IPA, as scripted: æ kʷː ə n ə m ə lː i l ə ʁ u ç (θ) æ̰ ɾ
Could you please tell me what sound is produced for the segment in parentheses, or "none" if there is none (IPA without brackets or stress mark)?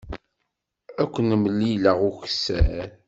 s